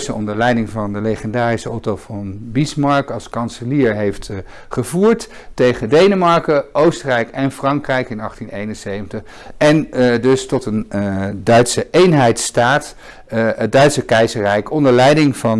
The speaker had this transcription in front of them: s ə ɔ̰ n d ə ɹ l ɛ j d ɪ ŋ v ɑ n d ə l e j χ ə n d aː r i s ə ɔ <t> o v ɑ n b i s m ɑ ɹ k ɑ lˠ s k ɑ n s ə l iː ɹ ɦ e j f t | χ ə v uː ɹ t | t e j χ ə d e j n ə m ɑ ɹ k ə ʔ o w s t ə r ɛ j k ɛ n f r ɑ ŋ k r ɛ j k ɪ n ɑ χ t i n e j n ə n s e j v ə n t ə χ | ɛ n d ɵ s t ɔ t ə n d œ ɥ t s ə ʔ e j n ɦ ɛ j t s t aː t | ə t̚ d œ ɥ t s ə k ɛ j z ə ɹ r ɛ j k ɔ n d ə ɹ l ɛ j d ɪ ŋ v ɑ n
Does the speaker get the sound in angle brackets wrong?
no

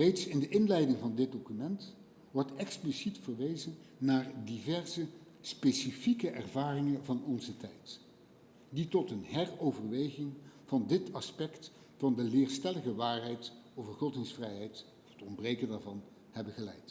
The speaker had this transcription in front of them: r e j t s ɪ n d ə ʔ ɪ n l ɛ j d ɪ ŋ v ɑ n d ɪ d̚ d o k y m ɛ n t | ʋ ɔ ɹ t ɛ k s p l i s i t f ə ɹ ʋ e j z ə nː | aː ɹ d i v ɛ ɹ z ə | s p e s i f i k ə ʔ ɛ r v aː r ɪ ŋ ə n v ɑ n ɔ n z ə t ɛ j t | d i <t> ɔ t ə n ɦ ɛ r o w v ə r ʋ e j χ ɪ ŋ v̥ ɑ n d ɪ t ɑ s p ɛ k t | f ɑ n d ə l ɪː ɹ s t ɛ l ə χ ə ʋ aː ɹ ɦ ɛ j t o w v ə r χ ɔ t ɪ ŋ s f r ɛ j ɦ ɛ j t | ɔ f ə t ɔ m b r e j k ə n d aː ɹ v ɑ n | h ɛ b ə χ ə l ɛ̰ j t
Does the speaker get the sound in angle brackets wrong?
no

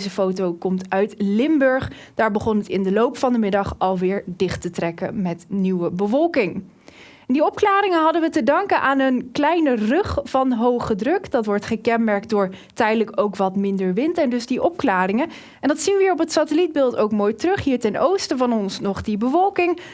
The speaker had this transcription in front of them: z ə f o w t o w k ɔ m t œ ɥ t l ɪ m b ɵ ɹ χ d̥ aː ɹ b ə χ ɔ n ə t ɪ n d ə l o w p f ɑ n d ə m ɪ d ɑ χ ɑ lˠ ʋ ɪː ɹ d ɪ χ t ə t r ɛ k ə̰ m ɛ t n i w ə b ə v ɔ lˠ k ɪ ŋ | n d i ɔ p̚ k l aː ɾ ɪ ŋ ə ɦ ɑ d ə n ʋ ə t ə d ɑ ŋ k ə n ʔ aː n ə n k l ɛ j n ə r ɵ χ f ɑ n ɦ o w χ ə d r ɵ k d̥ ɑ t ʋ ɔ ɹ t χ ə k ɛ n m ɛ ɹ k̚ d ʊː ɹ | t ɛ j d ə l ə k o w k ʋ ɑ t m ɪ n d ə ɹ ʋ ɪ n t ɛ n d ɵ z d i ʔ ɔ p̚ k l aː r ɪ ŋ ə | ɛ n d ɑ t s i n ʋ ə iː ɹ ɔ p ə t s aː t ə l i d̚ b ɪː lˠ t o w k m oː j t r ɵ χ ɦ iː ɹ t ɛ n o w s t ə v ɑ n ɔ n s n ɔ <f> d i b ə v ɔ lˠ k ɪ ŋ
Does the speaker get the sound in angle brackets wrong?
yes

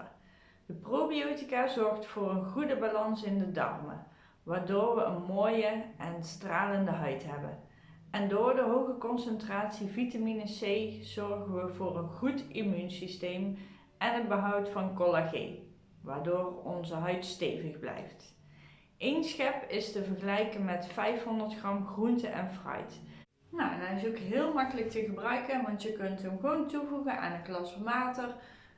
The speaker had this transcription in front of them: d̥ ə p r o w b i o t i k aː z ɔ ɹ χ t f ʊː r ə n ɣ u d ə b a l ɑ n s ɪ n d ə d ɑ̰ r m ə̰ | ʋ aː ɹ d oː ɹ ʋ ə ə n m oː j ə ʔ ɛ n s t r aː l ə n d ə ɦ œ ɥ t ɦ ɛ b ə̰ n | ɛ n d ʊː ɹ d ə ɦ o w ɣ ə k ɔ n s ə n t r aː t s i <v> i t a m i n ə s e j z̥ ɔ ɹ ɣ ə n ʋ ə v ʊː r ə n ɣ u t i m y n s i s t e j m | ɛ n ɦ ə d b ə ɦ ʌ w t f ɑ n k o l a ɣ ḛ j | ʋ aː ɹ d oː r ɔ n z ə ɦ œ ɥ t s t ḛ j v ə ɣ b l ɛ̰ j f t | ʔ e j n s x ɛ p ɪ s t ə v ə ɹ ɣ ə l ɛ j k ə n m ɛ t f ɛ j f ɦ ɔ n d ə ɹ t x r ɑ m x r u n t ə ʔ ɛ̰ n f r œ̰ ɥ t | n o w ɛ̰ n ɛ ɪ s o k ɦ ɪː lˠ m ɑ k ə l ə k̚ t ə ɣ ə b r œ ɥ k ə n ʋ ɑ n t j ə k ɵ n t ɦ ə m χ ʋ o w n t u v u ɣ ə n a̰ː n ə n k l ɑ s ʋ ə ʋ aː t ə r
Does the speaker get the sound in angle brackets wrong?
no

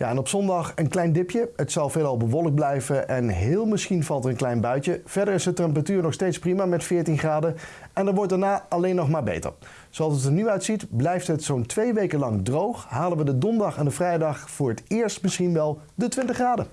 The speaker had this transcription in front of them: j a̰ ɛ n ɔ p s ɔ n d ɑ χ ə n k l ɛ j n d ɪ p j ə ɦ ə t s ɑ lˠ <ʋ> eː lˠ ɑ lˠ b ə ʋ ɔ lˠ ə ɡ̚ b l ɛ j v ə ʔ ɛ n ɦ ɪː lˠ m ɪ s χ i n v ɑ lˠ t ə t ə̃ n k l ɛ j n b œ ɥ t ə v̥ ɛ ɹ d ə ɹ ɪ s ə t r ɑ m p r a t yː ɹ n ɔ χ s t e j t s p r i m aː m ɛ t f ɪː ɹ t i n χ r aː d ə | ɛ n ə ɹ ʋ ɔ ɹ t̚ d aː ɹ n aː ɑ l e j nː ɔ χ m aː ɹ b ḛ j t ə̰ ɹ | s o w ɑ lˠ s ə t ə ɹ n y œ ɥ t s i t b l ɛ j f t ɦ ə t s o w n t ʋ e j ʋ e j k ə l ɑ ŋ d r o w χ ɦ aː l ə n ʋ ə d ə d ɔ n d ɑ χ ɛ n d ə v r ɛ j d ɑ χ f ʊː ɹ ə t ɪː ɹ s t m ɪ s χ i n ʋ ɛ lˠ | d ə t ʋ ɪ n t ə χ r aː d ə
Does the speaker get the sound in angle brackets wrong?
yes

